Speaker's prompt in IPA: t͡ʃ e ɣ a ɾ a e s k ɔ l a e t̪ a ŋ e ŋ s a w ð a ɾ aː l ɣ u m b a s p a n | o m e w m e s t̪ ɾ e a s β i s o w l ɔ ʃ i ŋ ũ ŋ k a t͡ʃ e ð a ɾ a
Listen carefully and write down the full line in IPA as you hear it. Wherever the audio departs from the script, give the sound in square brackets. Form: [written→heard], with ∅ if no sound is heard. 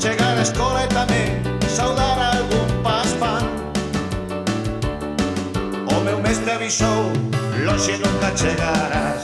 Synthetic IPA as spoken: t͡ʃ e ɣ a ɾ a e s k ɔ l a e t̪ a [ŋ→m] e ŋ s a w ð a ɾ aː l ɣ u m [b→p] a s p a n | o m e w m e s t̪ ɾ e a [s→∅] β i s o w l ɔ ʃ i [ŋ→n] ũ ŋ k a t͡ʃ e [ð→ɣ] a ɾ a